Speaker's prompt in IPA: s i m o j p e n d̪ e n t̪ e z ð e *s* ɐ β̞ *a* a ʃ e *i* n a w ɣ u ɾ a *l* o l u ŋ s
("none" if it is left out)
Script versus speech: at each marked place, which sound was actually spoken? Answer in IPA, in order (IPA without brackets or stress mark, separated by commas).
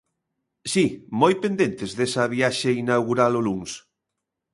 s, i, i, l